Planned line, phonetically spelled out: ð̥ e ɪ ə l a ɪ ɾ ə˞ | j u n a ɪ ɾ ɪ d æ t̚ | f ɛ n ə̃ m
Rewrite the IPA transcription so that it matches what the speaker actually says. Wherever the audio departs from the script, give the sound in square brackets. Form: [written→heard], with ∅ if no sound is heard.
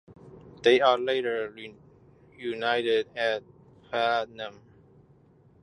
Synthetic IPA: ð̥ e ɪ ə l [a→e] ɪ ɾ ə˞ | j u n a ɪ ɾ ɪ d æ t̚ | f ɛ n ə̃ m